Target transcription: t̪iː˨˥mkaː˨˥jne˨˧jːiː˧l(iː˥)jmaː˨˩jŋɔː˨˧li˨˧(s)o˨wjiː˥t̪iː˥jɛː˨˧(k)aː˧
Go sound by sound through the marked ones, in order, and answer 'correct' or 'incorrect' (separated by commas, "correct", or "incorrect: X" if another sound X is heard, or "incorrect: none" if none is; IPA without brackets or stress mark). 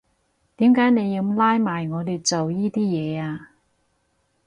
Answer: incorrect: aː˥, incorrect: t͡s, incorrect: none